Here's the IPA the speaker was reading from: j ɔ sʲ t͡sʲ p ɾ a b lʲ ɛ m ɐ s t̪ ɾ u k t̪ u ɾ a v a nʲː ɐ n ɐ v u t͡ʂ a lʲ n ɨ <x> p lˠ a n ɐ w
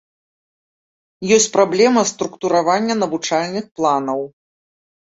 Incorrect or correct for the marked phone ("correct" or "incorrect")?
correct